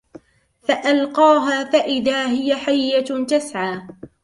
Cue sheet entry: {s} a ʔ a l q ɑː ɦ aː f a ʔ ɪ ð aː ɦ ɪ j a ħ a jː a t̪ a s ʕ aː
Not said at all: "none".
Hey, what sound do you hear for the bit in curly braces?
f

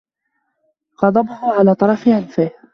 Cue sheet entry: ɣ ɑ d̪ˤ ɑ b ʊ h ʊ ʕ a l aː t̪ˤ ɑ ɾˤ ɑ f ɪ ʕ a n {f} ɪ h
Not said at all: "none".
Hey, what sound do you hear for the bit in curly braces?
f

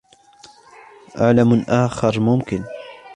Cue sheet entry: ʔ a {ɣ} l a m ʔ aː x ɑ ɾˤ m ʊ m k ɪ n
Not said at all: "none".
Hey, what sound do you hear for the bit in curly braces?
ʕ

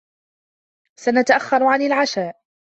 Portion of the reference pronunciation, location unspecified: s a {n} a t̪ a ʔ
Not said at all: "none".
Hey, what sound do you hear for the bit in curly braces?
n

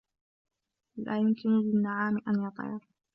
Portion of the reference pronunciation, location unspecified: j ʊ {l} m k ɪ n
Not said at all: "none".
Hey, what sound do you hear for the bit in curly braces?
none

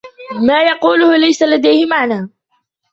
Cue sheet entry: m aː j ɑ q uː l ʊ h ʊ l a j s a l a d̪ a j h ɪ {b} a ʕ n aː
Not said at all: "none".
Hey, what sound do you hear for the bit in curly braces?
m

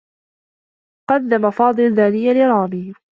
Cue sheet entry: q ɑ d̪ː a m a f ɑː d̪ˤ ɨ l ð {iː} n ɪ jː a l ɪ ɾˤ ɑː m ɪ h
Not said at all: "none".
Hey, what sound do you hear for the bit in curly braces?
aː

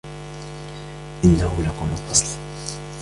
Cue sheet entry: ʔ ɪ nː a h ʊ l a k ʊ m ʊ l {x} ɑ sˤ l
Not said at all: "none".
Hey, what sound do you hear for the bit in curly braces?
f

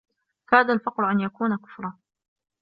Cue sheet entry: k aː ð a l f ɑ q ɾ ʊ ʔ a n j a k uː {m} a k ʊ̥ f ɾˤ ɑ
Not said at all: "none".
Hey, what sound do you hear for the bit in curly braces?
n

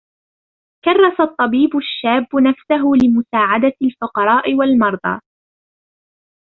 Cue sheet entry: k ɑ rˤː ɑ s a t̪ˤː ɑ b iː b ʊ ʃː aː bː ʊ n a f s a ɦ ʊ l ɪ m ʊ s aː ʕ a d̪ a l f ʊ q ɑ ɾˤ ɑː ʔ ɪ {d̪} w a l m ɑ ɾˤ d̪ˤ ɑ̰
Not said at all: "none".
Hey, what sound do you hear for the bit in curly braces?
none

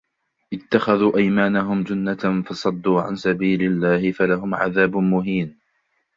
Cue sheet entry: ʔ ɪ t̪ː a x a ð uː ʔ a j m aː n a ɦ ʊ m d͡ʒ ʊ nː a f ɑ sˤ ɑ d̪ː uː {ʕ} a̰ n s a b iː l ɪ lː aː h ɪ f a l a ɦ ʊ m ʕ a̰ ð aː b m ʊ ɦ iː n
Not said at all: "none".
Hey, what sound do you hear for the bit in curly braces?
ʕ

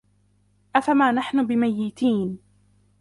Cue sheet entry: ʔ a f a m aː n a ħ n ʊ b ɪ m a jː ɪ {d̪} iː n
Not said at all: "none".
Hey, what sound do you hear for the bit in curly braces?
t̪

